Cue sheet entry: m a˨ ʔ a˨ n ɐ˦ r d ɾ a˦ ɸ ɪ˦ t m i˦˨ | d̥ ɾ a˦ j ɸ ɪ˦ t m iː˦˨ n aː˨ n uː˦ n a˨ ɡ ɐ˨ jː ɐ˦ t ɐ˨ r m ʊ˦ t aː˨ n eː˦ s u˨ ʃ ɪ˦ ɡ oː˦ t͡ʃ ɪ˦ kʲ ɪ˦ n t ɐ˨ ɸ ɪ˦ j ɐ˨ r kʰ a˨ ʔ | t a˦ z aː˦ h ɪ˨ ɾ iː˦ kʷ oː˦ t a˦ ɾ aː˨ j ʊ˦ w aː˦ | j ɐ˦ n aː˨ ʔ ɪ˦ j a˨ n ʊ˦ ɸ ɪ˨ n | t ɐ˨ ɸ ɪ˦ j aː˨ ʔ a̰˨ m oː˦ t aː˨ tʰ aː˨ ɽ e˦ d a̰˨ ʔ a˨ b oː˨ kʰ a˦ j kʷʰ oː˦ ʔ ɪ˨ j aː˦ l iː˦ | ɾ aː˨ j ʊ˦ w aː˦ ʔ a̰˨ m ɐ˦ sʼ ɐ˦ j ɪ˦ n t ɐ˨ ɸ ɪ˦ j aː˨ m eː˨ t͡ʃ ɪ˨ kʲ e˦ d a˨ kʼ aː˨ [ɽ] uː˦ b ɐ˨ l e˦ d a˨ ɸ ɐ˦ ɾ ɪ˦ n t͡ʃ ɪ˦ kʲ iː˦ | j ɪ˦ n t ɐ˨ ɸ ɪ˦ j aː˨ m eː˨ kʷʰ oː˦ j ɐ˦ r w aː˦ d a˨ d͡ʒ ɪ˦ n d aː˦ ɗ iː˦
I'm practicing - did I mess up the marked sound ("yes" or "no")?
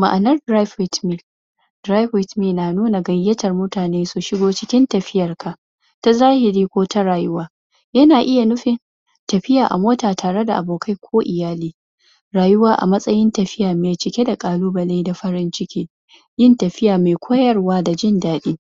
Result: yes